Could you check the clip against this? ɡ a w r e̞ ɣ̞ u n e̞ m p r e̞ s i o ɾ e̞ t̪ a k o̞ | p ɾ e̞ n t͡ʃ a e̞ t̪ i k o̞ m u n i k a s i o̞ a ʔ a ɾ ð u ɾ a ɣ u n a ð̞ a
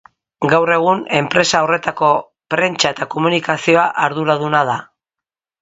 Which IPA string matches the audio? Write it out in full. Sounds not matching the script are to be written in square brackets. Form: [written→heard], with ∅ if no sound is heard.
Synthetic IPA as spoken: ɡ a w r e̞ ɣ̞ u n e̞ m p [r→ɾ] e̞ s [i→a] o [ɾ→r] e̞ t̪ a k o̞ | p ɾ e̞ n t͡ʃ a e̞ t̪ [i→a] k o̞ m u n i k a s i o̞ a ʔ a ɾ ð u ɾ a [ɣ→ð] u n a ð̞ a